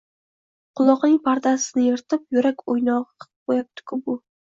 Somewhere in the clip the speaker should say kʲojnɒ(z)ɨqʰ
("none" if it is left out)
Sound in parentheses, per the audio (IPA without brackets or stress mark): ʁ